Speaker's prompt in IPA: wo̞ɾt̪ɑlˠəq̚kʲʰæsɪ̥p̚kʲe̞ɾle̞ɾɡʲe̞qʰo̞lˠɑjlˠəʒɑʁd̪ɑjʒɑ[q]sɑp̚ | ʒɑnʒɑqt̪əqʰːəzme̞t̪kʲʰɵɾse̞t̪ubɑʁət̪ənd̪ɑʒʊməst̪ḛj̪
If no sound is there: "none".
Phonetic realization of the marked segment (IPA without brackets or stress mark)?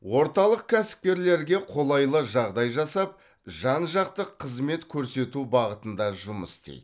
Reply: none